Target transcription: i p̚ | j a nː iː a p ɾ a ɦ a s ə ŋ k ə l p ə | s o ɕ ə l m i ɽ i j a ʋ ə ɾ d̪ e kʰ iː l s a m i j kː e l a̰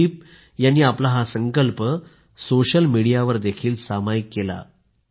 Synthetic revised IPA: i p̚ | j a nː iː a p l a ɦ a s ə ŋ k ə l p ə | s o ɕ ə l m i ɽ i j a ʋ ə ɾ d̪ e kʰ iː l s a m a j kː e l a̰